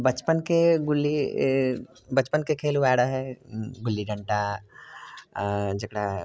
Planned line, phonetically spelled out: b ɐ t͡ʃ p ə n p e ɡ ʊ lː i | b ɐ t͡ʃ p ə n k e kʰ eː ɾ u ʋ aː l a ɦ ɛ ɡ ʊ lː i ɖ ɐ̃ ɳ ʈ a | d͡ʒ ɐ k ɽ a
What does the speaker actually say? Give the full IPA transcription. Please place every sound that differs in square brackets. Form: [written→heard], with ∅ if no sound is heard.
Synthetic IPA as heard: b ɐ t͡ʃ p ə n [p→k] e ɡ ʊ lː i | b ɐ t͡ʃ p ə n k e kʰ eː [ɾ→l] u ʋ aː [l→ɽ] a ɦ ɛ ɡ ʊ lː i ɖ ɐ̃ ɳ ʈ a | d͡ʒ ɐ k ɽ a